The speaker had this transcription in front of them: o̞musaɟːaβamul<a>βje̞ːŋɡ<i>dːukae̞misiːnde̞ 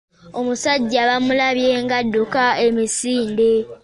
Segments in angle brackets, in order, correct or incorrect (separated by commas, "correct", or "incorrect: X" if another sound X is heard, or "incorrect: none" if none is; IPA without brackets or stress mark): correct, incorrect: a